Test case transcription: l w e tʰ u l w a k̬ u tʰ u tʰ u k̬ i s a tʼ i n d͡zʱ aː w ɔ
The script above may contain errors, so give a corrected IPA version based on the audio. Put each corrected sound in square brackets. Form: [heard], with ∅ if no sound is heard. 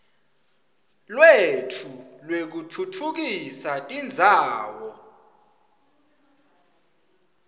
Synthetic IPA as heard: l w e tʰ u l w [e] k̬ u tʰ u tʰ u k̬ i s a tʼ i n d͡zʱ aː w ɔ